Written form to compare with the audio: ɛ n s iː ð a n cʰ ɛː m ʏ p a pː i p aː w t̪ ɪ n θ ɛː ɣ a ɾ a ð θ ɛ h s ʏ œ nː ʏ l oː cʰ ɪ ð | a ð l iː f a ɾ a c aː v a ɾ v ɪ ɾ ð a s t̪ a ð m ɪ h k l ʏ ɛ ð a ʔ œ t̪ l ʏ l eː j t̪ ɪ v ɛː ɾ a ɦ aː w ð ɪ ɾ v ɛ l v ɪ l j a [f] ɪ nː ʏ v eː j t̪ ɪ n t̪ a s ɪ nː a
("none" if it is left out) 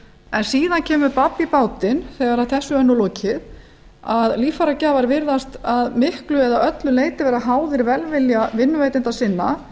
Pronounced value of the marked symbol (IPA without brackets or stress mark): v